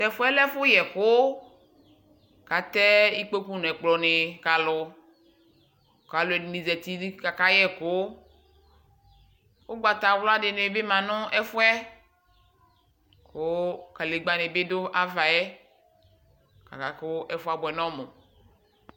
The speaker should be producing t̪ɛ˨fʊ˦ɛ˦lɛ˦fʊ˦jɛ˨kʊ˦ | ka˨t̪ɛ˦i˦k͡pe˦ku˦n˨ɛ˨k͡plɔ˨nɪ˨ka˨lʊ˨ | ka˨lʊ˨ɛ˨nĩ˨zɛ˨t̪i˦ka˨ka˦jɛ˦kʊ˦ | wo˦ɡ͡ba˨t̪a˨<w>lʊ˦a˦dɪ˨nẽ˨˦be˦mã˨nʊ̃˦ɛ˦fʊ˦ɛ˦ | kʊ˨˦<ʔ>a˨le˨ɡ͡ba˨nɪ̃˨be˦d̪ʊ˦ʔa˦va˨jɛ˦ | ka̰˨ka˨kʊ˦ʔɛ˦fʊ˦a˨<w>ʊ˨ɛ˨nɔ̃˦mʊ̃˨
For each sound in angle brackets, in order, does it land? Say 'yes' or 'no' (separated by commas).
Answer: yes, no, no